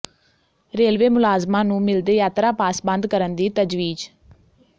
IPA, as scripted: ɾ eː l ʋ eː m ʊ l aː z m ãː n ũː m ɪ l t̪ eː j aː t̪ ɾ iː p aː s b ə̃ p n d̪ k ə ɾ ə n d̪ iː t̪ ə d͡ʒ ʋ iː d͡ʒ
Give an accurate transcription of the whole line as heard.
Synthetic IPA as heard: ɾ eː l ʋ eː m ʊ l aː z m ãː n ũː m ɪ l d̪ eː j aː t̪ ɾ aː p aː s b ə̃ n d̪ k ə ɾ ə n d̪ iː t̪ ə d͡ʒ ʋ iː d͡ʒ